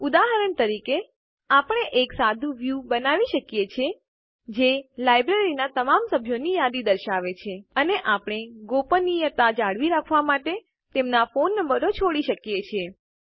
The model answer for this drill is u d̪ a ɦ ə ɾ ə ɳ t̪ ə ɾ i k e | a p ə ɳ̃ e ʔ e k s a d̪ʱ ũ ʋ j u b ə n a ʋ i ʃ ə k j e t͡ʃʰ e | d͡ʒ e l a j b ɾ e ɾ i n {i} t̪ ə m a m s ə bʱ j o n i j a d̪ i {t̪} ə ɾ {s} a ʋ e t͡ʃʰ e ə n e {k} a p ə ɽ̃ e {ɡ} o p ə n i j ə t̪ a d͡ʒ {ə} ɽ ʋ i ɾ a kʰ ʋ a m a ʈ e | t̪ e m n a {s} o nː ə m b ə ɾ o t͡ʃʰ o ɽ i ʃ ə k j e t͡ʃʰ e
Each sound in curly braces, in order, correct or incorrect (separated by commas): incorrect, incorrect, incorrect, incorrect, correct, incorrect, incorrect